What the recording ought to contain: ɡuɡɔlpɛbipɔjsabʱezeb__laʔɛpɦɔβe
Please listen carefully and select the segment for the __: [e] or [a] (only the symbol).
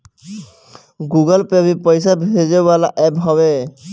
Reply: a